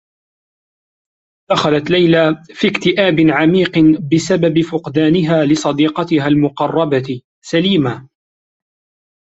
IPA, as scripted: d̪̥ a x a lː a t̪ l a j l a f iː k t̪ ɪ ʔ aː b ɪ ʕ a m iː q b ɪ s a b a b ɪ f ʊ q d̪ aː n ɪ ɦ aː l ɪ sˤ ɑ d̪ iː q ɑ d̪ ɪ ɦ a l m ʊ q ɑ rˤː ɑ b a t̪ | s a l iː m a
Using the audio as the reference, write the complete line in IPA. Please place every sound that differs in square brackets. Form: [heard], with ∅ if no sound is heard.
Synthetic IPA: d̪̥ a x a [l] a t̪ l a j l a f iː k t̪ ɪ ʔ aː b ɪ ʕ a m iː q b ɪ s a b a b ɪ f ʊ q d̪ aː n ɪ ɦ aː l ɪ sˤ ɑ d̪ iː q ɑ [t̪] ɪ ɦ a l m ʊ q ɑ rˤː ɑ b a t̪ | s a l iː m a